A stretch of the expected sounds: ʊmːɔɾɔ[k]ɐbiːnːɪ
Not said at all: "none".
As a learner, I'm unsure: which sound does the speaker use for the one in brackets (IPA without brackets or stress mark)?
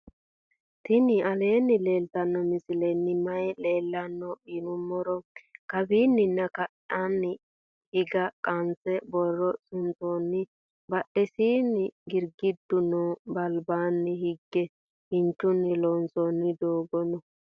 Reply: k